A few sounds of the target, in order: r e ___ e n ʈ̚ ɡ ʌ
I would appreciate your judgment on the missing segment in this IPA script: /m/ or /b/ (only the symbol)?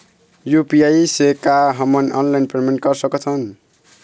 m